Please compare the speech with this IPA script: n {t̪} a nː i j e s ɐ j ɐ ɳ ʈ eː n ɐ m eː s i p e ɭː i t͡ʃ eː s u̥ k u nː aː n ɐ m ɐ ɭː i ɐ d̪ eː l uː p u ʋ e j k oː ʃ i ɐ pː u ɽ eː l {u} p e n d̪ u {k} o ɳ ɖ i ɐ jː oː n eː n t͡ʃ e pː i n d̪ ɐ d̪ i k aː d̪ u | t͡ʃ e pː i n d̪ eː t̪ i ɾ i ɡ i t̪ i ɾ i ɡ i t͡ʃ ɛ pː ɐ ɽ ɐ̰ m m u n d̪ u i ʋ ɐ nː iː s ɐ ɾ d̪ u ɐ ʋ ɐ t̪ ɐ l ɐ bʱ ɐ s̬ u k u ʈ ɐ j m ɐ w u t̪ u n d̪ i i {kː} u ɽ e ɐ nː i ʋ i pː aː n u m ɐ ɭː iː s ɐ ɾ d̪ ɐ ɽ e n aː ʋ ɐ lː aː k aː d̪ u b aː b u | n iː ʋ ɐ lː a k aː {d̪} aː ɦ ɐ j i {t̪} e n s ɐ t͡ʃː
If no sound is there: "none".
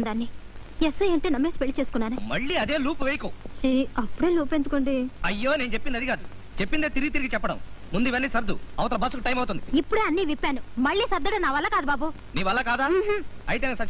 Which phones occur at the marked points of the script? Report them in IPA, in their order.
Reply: d̪, uː, k, pː, d̪, t̪

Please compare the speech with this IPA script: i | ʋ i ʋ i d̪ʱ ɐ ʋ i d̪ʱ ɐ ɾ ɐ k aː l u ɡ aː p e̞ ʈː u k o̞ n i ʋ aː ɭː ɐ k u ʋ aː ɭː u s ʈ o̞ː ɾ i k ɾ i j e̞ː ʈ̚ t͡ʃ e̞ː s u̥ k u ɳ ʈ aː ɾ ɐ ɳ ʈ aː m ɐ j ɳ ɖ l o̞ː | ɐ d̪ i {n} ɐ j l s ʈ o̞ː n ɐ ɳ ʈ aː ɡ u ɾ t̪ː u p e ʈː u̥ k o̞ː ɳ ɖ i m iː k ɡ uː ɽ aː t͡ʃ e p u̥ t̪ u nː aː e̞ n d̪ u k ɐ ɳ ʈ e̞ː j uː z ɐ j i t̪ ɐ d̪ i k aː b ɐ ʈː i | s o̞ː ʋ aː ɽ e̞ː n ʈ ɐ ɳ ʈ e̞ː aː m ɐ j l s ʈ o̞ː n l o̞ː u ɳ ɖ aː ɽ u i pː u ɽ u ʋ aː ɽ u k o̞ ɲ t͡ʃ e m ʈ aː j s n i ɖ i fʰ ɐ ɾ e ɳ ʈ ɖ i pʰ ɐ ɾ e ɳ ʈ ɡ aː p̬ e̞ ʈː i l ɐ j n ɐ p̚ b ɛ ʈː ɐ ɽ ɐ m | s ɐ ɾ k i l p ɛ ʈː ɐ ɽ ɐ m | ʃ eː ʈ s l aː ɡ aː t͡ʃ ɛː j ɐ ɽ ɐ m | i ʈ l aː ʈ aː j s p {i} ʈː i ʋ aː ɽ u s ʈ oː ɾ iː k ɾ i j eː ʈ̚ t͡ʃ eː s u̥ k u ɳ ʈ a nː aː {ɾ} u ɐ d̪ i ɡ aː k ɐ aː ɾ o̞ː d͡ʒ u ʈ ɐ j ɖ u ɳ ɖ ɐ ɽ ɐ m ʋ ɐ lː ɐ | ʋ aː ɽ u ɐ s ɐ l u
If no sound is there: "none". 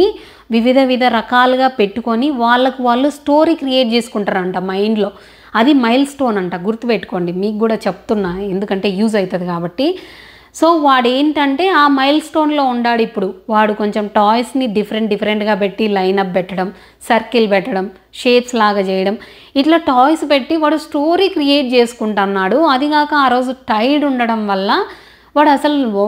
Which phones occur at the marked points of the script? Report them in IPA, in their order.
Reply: m, e, ɽ

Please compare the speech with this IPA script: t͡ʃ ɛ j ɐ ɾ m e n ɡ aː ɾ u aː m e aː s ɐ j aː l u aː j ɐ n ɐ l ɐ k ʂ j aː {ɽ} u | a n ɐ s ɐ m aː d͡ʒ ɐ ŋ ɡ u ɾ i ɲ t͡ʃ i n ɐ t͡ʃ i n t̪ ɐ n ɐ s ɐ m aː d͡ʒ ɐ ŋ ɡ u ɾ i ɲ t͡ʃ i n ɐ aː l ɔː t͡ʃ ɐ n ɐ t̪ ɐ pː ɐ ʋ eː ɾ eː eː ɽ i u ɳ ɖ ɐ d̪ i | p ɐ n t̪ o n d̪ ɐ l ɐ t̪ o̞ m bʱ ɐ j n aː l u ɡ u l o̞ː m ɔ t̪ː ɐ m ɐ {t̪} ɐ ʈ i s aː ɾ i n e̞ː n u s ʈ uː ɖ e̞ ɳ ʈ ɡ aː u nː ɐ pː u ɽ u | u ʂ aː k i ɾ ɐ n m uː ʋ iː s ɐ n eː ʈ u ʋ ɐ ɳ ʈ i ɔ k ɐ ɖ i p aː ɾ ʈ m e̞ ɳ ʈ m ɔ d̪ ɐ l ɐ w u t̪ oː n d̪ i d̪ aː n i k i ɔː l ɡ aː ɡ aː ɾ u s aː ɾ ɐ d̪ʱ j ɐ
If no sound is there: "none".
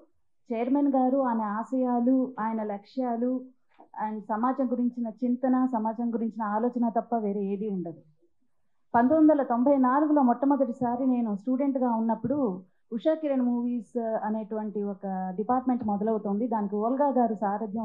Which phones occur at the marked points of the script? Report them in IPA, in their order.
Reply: l, d̪

